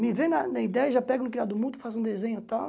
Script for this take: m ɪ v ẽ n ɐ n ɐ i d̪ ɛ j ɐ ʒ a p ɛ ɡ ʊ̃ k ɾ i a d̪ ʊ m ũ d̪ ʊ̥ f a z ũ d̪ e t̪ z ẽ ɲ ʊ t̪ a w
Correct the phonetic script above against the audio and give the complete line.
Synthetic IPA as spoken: m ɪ v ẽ n ɐ n ɐ i d̪ ɛ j ɐ ʒ a p ɛ ɡ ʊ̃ k ɾ i a d̪ ʊ m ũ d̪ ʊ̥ f a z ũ d̪ e z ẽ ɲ ʊ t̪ a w